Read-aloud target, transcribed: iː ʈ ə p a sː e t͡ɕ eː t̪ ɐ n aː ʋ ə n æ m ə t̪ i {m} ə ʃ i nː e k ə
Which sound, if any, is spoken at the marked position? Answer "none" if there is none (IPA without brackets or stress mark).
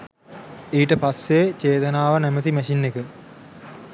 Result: m